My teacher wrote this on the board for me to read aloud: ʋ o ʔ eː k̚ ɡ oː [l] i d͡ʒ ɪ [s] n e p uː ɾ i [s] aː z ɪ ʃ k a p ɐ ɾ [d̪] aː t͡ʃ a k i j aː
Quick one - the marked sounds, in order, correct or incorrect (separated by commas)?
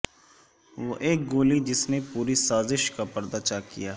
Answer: correct, correct, correct, correct